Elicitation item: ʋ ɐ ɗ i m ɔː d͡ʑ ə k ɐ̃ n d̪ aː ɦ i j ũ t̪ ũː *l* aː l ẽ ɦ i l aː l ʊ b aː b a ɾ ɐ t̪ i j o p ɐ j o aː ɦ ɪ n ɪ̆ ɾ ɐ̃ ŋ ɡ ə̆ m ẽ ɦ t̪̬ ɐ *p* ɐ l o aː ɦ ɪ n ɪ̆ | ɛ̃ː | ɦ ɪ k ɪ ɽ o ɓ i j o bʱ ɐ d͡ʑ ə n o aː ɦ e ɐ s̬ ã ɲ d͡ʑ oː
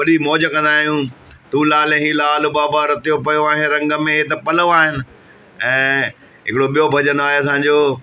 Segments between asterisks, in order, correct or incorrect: correct, correct

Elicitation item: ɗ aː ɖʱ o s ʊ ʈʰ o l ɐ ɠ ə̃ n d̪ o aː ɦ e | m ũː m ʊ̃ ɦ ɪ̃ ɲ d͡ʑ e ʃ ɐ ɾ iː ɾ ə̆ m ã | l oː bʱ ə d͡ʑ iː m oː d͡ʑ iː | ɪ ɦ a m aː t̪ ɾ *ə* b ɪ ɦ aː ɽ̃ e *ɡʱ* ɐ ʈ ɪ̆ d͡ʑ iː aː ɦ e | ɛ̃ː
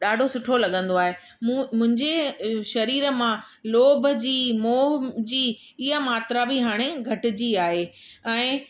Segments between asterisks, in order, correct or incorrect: incorrect: a, correct

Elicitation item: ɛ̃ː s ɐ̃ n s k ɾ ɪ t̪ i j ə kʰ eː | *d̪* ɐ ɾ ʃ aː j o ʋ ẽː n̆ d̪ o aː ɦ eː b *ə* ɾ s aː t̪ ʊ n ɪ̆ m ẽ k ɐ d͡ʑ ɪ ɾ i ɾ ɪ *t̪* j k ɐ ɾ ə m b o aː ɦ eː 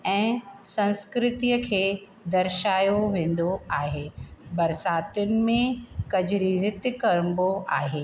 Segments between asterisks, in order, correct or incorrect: correct, incorrect: ɐ, correct

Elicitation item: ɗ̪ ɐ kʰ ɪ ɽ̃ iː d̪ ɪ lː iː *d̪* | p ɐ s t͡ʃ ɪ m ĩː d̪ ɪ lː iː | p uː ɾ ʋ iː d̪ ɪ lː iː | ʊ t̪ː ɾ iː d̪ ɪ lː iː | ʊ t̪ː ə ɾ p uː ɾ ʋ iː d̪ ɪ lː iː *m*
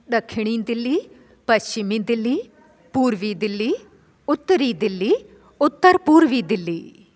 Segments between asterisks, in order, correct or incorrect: incorrect: none, incorrect: none

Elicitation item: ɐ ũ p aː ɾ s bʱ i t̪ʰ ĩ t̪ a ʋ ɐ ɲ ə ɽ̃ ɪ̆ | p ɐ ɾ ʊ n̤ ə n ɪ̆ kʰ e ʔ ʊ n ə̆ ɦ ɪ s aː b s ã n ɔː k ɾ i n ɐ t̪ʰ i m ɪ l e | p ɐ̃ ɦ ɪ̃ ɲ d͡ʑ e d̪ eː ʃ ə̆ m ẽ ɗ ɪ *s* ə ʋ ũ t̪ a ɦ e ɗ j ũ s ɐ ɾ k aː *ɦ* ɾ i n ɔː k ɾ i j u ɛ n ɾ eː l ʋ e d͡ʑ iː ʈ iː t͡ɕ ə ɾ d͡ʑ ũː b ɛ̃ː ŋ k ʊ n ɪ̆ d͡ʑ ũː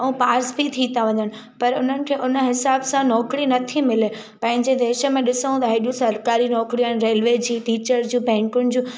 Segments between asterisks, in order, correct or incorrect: correct, incorrect: none

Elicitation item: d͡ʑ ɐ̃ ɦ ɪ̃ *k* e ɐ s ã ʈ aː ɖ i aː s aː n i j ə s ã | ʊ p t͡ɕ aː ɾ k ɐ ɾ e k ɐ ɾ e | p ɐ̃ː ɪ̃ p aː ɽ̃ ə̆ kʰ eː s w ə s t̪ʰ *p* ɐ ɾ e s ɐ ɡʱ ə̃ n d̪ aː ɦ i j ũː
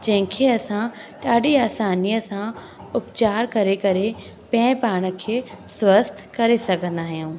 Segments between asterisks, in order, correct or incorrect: incorrect: kʰ, incorrect: k

